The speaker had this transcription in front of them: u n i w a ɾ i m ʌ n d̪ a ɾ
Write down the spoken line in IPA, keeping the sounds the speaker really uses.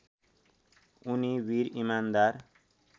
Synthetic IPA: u n i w i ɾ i m a n d̪ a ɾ